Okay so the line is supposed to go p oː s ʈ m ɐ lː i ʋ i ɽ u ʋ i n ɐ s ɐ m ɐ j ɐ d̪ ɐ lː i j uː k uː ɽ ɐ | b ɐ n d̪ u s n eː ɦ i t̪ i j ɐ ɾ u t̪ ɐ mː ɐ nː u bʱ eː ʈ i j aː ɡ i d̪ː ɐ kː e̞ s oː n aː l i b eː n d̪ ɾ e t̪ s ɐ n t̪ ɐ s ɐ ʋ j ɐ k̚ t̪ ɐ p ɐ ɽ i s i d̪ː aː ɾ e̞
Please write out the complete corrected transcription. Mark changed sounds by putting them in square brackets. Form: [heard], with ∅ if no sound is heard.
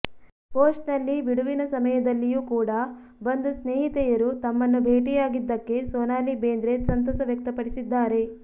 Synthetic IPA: p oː s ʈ [n] ɐ lː i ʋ i ɽ u ʋ i n ɐ s ɐ m ɐ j ɐ d̪ ɐ lː i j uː k uː ɽ ɐ | b ɐ n d̪ u s n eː ɦ i t̪ [ɛ] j ɐ ɾ u t̪ ɐ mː ɐ nː u bʱ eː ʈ i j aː ɡ i d̪ː ɐ kː e̞ s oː n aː l i b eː n d̪ ɾ e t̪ s ɐ n t̪ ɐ s ɐ ʋ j ɐ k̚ t̪ ɐ p ɐ ɽ i s i d̪ː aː ɾ e̞